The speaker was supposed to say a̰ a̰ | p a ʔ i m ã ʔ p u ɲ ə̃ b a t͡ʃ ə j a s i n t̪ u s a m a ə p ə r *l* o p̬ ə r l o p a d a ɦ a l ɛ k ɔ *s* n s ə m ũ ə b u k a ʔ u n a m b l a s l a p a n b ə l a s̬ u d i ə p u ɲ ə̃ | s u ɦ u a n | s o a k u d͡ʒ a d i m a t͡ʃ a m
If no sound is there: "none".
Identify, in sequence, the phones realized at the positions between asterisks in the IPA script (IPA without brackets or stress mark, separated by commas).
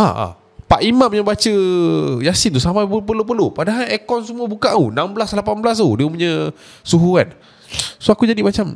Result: l, none